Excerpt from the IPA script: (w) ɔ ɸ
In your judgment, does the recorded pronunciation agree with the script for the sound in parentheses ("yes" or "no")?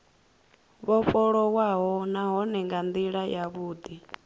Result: no